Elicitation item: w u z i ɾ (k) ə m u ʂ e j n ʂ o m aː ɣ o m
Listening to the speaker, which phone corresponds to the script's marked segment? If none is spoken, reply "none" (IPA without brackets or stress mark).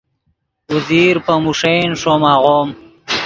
p